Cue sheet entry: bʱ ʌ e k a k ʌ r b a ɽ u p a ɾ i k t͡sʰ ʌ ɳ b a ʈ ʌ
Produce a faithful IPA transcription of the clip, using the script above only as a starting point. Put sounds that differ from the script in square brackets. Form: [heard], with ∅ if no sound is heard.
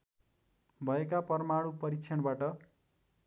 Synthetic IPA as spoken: bʱ ʌ e k a [p] ʌ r [m] a ɽ u p [ʌ] ɾ i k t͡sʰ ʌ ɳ b a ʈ ʌ